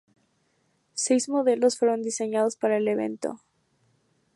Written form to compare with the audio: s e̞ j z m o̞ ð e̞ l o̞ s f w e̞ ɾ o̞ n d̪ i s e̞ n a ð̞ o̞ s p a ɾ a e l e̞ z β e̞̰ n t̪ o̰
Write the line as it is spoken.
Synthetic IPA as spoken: s e̞ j z m o̞ ð e̞ l o̞ s f w e̞ ɾ o̞ n d̪ i s e̞ ɲ a ð̞ o̞ s p a ɾ a e l e̞ β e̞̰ n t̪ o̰